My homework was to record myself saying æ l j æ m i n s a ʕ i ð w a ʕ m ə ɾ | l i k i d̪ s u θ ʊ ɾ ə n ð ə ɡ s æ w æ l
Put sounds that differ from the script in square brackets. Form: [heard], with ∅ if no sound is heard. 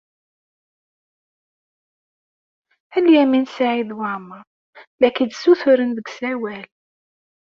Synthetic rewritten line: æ l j æ m i n s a ʕ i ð w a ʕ m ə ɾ | l [æ] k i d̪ s u θ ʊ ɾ ə n ð ə ɡ s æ w æ l